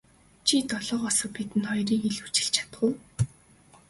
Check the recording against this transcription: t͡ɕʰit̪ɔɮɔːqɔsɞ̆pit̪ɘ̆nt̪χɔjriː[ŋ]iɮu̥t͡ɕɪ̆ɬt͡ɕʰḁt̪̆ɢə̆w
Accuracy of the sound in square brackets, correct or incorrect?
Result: correct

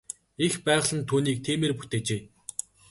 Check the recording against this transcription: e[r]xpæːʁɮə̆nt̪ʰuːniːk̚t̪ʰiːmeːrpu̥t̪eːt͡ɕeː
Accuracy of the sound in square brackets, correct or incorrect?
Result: incorrect: none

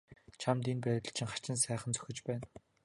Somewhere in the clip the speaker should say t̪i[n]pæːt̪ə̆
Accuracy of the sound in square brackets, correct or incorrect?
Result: correct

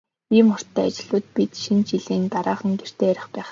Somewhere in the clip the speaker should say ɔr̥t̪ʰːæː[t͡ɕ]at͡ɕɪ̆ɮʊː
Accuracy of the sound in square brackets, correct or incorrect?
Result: incorrect: none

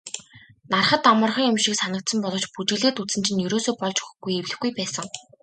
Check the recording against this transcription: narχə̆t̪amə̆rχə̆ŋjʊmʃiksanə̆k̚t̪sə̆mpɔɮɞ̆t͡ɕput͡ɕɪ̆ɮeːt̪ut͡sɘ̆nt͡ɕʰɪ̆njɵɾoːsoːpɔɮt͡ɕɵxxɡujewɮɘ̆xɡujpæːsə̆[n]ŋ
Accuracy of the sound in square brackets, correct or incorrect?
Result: incorrect: none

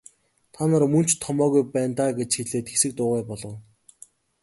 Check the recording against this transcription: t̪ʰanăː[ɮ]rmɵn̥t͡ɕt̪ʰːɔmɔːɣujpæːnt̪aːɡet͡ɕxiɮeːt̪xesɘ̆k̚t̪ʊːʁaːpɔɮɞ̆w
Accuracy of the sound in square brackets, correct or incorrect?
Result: incorrect: none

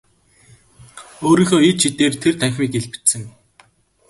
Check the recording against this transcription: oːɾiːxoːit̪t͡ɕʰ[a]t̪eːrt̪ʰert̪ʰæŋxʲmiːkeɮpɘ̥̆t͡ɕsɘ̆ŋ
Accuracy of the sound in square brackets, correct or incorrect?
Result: incorrect: i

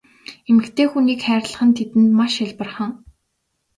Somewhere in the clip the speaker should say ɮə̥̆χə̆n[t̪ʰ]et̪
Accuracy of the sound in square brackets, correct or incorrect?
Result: correct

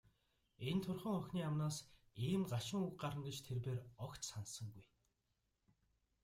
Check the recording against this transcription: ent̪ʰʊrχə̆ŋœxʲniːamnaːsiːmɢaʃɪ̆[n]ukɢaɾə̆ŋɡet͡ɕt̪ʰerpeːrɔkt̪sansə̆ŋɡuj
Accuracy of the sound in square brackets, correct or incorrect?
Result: incorrect: ŋ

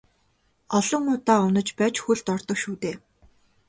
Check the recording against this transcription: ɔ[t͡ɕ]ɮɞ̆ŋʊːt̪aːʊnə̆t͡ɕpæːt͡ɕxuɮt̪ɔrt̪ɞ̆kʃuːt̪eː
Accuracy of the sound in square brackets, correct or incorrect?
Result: incorrect: none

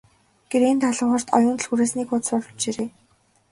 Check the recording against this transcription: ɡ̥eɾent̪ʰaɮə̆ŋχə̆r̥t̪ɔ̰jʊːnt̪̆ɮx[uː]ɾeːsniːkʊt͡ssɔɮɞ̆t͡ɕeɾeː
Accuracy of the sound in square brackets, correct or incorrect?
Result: incorrect: u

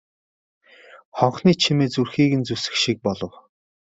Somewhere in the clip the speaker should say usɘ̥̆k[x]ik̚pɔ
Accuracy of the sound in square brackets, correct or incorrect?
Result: incorrect: ʃ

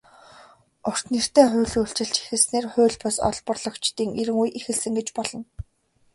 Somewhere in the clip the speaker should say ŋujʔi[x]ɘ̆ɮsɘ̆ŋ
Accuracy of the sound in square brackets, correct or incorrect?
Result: correct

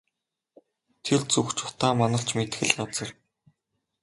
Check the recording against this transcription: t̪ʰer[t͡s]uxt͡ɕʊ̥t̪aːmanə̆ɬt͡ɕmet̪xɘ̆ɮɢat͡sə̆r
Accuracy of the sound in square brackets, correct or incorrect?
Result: correct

